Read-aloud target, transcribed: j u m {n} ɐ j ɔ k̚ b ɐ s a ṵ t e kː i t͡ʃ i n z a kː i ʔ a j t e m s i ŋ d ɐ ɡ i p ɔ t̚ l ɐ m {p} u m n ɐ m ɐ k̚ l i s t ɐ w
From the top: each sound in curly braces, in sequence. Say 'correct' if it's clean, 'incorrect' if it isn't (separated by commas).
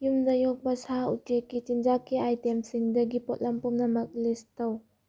incorrect, correct